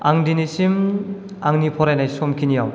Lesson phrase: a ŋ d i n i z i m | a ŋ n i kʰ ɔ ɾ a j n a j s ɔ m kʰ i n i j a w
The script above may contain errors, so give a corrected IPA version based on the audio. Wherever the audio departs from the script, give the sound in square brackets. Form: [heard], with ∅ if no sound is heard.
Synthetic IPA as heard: a ŋ d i n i [s] i m | a ŋ n i [pʰ] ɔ ɾ a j n a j s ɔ m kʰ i n i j a w